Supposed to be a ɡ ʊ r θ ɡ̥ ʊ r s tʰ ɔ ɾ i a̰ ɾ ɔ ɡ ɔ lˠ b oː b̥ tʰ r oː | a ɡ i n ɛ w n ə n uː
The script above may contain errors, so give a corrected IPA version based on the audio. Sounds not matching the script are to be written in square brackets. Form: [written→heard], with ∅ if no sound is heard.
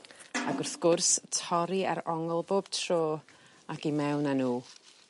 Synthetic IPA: a ɡ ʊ r θ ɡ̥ ʊ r s tʰ ɔ ɾ i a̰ ɾ ɔ [ɡ→ŋ] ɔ lˠ b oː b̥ tʰ r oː | a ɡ i [n→m] ɛ w n [ə→a] n uː